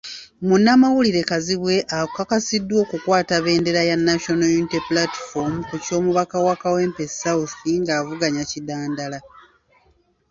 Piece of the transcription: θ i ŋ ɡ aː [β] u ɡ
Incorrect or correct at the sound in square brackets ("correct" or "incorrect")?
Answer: incorrect